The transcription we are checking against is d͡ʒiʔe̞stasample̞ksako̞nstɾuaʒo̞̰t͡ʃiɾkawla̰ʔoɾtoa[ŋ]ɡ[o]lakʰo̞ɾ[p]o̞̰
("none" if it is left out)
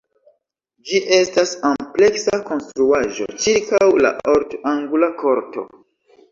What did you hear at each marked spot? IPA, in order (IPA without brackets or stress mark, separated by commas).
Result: ŋ, u, t